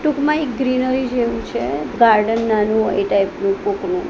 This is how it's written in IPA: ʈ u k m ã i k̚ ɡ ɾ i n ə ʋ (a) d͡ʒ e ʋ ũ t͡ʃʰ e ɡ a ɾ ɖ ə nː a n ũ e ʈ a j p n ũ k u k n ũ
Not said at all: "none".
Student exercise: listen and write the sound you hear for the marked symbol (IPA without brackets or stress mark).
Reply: i